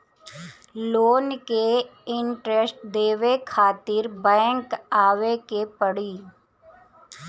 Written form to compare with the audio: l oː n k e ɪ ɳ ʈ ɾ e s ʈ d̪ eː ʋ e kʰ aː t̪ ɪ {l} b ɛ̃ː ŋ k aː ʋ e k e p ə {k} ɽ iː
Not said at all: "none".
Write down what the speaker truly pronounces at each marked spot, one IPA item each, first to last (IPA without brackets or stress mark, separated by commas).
ɾ, none